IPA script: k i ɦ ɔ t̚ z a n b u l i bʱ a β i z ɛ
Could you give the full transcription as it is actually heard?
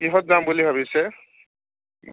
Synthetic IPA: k i ɦ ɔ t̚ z a m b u l i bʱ a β i s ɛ